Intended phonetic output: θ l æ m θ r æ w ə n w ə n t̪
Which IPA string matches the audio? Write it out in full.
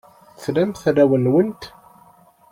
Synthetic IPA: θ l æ m θ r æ w ə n w ə n t̪